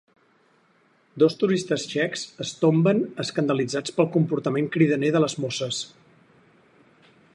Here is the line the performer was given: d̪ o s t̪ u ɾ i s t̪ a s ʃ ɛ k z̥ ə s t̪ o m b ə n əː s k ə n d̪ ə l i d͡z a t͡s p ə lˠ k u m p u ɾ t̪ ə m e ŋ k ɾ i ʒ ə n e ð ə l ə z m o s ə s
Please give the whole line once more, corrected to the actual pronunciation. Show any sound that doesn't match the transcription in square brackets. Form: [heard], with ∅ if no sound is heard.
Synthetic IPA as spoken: d̪ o s t̪ u ɾ i s t̪ [ə] s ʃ ɛ k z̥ ə s t̪ o m b ə n [ə] s k ə n d̪ ə l i d͡z a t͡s p ə lˠ k u m p u ɾ t̪ ə m e ŋ k ɾ i [ð] ə n e ð ə l ə z m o s ə s